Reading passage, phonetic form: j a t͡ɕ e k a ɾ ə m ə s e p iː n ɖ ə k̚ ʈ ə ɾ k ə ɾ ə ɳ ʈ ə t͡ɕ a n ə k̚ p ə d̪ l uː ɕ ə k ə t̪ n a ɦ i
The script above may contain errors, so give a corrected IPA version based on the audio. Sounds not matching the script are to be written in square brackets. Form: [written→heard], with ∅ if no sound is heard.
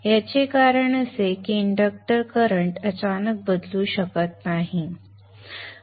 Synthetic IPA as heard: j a t͡ɕ e k a ɾ ə [m→ɳ] ə s e [p→k] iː [n→ɳ] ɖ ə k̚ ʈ ə ɾ k ə ɾ ə ɳ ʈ ə t͡ɕ a n ə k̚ [p→b] ə d̪ l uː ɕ ə k ə t̪ n a ɦ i